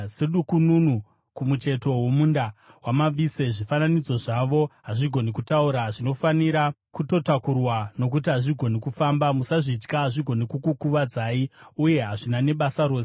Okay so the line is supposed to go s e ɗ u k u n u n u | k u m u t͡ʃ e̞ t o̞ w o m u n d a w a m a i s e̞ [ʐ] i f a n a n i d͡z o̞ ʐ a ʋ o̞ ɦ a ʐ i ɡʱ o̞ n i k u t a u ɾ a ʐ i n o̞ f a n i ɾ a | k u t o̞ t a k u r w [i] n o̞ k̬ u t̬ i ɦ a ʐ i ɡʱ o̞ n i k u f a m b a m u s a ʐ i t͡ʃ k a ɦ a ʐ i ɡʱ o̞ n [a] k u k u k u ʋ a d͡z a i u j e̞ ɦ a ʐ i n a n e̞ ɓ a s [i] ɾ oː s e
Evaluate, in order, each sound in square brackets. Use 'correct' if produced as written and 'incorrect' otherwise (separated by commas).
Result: correct, incorrect, incorrect, incorrect